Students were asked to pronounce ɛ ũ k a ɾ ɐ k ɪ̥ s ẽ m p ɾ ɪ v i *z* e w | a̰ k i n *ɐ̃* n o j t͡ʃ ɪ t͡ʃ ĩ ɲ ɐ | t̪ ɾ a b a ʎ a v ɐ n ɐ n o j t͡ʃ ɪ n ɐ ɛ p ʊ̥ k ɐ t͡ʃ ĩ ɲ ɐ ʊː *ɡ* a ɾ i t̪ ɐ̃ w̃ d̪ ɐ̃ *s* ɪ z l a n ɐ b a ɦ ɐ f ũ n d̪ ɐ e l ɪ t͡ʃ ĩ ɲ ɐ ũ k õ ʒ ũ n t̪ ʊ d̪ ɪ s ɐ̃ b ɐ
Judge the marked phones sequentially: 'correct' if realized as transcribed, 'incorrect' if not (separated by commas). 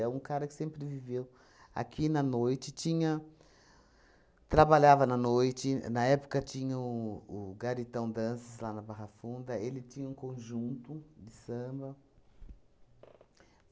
incorrect, incorrect, correct, correct